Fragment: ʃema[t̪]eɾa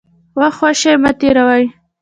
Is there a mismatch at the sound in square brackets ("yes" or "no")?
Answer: no